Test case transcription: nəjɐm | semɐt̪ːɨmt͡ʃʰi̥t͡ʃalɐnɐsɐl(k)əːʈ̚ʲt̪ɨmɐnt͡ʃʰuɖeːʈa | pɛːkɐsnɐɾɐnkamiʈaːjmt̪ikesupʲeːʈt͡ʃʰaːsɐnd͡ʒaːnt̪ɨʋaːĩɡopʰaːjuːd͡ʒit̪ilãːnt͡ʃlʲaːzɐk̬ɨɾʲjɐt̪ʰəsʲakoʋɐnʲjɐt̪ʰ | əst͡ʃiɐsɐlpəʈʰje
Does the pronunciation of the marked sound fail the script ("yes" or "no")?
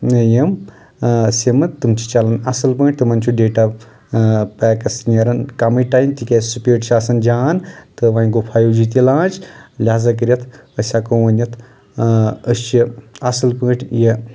yes